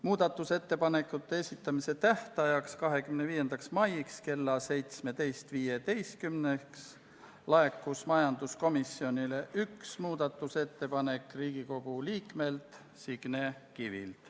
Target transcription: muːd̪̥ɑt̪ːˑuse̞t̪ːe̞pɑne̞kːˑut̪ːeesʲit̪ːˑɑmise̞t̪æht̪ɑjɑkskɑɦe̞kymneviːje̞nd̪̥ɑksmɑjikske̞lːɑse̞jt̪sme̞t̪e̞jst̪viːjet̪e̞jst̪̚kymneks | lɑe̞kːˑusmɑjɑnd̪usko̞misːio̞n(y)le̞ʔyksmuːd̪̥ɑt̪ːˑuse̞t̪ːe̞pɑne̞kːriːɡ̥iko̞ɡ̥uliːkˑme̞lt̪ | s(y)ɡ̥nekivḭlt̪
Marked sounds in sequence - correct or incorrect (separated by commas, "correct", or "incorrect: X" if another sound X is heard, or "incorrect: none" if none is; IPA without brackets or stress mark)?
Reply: incorrect: i, incorrect: i